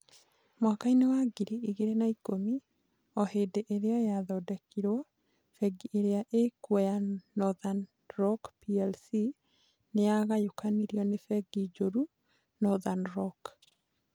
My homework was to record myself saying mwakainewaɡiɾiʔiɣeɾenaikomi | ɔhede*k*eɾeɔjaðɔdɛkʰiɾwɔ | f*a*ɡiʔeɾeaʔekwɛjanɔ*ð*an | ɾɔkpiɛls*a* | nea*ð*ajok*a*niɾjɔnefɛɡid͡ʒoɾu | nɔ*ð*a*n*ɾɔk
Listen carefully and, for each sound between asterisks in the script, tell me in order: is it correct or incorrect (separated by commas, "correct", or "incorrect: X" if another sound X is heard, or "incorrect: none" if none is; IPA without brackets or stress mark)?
incorrect: ʔ, incorrect: ɛ, correct, incorrect: i, incorrect: ɣ, correct, correct, correct